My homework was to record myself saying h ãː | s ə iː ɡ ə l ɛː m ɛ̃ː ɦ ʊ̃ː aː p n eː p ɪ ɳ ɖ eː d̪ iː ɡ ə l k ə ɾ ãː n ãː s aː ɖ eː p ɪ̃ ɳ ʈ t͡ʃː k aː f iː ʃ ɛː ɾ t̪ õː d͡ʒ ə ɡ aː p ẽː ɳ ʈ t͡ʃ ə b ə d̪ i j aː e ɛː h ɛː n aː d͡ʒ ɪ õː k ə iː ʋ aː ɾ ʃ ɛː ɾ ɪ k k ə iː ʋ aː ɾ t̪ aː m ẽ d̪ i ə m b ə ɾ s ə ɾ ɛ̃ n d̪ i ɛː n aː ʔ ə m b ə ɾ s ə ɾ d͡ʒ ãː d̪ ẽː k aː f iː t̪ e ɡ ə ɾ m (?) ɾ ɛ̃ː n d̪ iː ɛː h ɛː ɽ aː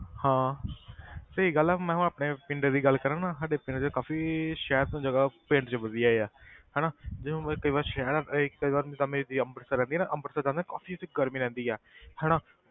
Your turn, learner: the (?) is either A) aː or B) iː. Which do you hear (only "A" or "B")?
B